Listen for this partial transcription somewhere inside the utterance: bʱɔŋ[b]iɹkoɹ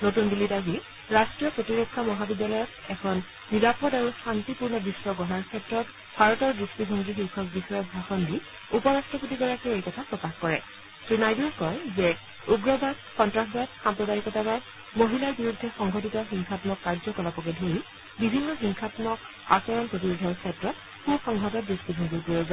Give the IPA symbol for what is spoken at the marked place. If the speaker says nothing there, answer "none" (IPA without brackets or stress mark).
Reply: ɡ